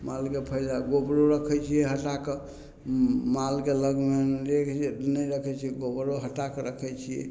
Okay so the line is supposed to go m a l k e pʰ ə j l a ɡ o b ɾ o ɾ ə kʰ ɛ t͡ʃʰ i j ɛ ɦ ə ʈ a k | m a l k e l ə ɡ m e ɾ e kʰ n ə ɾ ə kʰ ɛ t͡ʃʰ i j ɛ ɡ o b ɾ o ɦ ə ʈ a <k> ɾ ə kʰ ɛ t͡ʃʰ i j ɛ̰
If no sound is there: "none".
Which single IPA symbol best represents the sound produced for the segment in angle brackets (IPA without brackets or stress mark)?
k